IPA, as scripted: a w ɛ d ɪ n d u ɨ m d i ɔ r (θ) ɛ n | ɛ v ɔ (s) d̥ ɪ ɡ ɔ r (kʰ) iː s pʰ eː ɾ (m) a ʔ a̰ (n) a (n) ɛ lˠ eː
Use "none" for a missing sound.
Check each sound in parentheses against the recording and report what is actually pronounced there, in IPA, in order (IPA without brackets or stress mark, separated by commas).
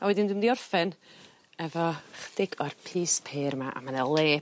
f, χ, pʰ, m, m, n